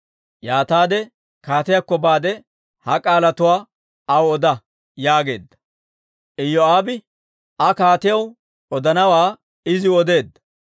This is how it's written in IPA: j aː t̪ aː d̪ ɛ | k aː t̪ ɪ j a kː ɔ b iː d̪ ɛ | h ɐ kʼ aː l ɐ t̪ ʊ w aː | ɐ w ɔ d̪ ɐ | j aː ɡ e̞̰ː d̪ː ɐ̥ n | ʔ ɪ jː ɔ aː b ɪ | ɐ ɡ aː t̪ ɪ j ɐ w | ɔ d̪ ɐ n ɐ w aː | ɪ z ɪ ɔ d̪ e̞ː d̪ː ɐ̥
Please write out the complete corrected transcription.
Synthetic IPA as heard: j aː t̪ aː d̪ ɛ | k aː t̪ ɪ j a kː ɔ b aː d̪ ɛ | h ɐ kʼ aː l ɐ t̪ ʊ w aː | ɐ w ɔ d̪ ɐ | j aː ɡ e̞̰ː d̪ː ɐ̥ | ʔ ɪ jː ɔ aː b ɪ | ɐ k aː t̪ ɪ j ɐ w | ɔ d̪ ɐ n ɐ w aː | ɪ z ɪ ɔ d̪ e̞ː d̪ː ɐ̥